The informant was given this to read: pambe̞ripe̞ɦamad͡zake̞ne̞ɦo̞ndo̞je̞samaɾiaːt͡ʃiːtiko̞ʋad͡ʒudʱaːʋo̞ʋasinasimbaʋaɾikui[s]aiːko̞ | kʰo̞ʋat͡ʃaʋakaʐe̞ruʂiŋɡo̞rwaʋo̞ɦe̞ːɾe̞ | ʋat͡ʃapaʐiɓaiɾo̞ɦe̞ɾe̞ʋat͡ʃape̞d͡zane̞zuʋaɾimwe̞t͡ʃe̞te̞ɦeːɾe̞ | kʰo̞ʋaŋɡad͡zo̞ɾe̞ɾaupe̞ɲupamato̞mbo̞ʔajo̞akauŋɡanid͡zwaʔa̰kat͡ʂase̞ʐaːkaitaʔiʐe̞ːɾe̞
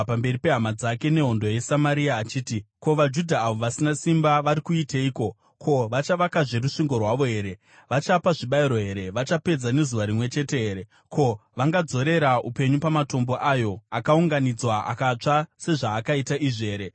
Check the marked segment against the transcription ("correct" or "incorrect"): incorrect